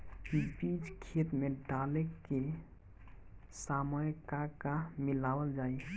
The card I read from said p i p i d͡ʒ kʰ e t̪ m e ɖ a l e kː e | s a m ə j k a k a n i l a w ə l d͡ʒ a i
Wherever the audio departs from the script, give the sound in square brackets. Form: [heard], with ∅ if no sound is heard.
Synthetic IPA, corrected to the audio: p i p i d͡ʒ kʰ e t̪ m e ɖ a l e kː e | s a m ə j k a k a [m] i l a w ə l d͡ʒ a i